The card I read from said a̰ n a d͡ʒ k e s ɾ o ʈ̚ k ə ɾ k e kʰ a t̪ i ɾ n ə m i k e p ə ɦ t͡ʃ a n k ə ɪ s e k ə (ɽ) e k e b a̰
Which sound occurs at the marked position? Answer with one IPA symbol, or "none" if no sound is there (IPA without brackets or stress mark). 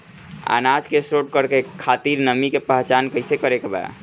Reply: ɾ